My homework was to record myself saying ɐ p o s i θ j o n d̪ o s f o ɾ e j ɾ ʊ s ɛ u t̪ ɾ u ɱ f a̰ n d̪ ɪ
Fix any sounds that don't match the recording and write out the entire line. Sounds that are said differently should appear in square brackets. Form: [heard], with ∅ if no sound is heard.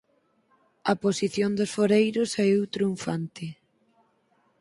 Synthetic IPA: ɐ p o s i θ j o n d̪ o s f o ɾ e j ɾ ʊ s ɛ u t̪ ɾ u ɱ f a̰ n [t̪] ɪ